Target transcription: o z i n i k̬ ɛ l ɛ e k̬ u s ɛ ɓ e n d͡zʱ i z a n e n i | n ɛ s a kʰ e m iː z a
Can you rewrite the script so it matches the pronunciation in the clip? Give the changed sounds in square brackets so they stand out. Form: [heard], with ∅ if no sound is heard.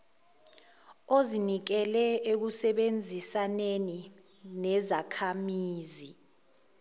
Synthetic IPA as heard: o z i n i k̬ ɛ l ɛ e k̬ u s ɛ ɓ e n d͡zʱ i [s] a n e n i | n ɛ [z] a kʰ [a] m iː z [i]